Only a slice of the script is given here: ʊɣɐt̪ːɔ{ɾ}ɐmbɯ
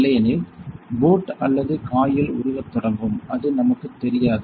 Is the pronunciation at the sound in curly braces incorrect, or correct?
incorrect